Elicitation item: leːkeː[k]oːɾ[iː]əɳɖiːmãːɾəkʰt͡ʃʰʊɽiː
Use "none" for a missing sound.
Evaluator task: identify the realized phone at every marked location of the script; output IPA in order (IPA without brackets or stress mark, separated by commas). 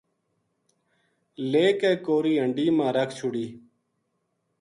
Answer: k, iː